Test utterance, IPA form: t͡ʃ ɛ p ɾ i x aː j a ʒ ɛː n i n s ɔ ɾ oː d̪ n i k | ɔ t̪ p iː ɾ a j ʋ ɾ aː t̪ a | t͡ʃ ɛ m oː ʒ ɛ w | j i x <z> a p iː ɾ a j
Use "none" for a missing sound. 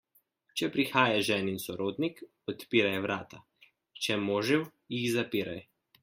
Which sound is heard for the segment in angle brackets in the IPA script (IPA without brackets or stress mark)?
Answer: z